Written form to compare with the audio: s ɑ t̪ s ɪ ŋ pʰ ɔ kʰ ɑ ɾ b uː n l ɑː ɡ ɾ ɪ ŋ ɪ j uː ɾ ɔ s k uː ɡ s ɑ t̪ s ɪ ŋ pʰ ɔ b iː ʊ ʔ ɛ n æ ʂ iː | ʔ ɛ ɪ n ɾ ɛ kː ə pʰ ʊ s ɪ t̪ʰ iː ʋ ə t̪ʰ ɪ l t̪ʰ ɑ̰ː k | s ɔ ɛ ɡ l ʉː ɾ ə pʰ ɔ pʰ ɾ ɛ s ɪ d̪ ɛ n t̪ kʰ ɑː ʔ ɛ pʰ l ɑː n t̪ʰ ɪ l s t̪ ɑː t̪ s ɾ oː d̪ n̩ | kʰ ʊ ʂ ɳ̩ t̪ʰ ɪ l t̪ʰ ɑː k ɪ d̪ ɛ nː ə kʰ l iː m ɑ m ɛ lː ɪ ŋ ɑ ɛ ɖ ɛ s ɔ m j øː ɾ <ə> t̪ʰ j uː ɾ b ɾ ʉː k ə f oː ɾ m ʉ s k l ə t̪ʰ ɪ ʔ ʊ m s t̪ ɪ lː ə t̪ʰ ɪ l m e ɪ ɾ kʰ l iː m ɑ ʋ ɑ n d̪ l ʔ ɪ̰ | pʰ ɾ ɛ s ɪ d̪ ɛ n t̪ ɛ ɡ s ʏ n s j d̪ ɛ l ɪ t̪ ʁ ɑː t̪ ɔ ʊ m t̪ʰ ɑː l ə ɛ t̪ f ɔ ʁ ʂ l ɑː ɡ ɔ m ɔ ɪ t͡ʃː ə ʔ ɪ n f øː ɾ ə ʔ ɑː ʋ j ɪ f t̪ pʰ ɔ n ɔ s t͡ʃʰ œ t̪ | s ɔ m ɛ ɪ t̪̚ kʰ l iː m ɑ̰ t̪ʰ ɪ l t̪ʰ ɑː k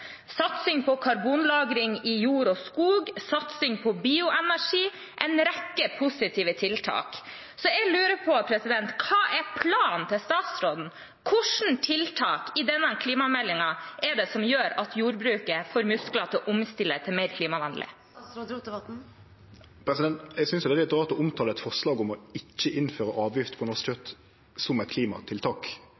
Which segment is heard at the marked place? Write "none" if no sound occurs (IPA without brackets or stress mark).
ɑ